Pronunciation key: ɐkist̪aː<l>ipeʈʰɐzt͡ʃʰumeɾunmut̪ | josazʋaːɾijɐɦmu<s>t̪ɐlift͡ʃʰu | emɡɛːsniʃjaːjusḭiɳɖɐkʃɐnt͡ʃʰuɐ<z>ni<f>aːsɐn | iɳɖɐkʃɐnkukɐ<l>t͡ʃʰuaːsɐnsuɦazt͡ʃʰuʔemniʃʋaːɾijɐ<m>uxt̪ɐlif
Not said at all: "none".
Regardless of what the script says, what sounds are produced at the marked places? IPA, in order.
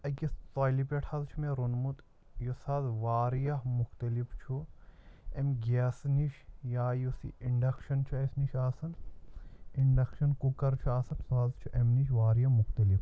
l, x, s, ʃ, ɾ, m

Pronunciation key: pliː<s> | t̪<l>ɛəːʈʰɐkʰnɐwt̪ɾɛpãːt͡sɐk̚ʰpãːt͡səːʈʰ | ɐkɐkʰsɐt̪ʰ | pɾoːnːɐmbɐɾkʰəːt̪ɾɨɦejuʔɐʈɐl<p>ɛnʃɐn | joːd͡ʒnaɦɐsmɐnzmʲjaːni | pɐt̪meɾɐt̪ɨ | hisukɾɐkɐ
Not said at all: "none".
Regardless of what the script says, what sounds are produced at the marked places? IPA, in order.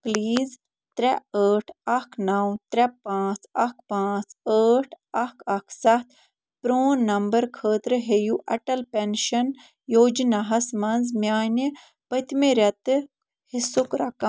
z, ɾ, p

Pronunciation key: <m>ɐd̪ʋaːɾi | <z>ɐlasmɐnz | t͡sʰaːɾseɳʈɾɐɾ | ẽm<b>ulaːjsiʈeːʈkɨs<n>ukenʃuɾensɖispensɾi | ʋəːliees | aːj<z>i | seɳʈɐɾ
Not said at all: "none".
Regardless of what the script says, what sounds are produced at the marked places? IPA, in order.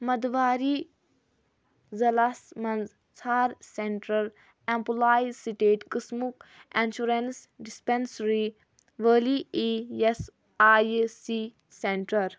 m, z, p, m, s

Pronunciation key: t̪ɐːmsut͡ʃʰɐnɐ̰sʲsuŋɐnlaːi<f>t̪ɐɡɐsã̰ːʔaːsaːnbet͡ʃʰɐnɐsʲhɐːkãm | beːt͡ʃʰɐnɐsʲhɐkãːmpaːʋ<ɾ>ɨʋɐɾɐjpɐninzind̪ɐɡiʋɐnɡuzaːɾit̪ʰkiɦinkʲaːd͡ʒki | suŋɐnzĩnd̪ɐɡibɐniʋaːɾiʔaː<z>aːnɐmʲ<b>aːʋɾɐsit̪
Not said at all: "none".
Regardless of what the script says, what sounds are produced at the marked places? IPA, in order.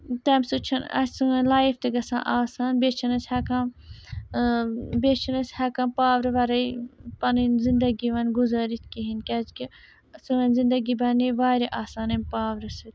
f, ɾ, s, p

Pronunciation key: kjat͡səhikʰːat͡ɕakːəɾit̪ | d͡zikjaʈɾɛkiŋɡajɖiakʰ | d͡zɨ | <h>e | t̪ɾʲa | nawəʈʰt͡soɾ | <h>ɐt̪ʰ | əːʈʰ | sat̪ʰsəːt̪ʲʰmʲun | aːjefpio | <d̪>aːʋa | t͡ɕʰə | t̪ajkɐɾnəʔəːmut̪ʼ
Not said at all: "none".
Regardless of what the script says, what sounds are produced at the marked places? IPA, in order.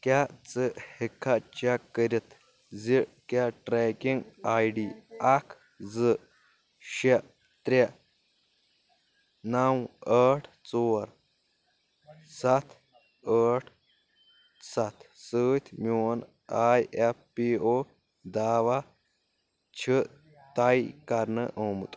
ɕ, s, d̪

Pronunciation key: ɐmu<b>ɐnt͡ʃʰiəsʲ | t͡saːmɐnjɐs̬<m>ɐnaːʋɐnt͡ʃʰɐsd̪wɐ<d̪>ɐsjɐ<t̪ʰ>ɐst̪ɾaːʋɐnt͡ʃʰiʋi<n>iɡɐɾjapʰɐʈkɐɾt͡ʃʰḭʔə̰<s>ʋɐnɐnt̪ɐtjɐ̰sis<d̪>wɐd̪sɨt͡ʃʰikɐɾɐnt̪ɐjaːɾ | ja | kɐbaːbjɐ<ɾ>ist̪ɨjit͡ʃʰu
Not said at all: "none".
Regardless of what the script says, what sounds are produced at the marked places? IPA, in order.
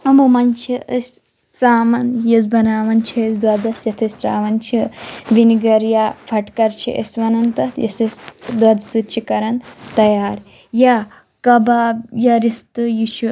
m, b, d̪, t̪ʰ, n, s, d̪, ɾ

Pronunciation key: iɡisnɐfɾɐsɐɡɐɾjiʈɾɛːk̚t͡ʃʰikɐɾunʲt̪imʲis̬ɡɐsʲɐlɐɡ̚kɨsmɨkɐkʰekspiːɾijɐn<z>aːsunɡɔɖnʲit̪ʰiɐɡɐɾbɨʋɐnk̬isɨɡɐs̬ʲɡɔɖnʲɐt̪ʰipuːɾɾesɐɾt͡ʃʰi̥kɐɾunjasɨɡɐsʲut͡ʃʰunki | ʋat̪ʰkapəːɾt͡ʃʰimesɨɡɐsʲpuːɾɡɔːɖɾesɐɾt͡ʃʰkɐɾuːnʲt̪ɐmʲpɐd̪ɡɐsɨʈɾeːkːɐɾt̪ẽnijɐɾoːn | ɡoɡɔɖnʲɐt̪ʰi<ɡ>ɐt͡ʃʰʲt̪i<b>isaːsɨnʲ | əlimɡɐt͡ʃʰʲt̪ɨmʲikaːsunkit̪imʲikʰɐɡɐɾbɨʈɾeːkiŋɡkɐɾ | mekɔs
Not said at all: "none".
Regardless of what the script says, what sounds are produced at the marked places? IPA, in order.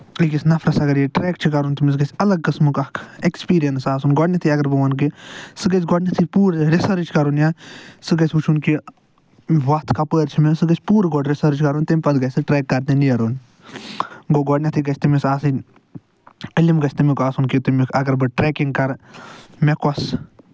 s, ɡ, m

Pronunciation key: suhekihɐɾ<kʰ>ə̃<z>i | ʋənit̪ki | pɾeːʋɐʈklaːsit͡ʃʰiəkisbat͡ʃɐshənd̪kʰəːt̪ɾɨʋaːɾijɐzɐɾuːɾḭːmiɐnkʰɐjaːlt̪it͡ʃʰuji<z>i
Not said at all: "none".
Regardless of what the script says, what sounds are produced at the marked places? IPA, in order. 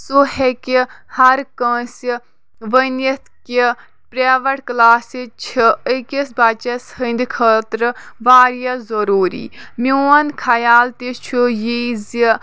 k, s, z

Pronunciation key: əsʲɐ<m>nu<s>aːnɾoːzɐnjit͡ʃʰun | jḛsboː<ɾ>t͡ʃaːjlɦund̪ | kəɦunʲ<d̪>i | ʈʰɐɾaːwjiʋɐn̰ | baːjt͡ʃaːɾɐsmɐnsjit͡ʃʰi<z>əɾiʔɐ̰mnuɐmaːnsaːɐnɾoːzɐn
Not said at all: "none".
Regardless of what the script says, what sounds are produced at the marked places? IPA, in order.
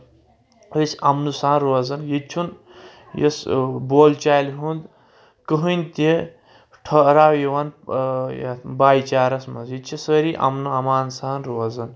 m, s, l, t̪, s

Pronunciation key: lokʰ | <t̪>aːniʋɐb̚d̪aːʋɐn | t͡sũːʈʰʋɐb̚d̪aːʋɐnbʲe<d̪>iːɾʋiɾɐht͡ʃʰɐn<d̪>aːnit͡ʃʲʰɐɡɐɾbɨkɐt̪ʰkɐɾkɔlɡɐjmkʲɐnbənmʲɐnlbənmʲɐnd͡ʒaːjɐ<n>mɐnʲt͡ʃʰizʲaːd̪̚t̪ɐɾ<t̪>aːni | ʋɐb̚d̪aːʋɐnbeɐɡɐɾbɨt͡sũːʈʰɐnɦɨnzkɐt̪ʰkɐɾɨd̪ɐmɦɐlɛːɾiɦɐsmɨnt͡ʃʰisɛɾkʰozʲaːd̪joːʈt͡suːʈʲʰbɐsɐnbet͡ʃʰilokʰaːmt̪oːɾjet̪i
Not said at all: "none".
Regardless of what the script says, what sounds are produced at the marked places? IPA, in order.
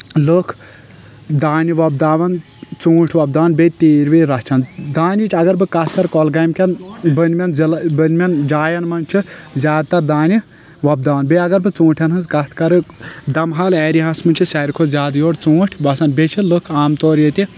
d̪, t̪, d̪, n, d̪

